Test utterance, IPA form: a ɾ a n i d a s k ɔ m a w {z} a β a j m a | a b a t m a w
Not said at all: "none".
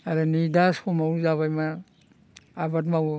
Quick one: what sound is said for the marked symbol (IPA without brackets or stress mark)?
z